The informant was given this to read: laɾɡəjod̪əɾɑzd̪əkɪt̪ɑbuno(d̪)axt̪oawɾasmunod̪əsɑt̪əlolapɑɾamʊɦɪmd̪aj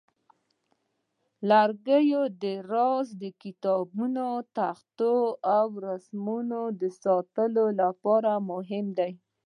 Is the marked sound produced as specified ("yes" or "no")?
no